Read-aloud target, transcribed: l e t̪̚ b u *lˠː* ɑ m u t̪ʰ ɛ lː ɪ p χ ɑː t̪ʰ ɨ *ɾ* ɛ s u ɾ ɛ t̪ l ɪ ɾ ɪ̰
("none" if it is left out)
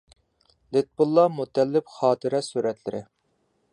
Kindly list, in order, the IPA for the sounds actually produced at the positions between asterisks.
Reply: lˠː, ɾ

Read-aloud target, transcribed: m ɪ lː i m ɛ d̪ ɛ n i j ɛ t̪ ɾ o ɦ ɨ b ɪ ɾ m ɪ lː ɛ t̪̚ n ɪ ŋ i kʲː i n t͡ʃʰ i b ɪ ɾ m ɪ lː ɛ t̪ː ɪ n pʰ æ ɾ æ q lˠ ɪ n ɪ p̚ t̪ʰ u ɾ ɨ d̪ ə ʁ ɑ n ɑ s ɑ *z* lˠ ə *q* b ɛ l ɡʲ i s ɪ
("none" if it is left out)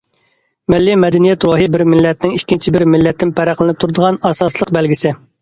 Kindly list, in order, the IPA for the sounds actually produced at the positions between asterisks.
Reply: s, q

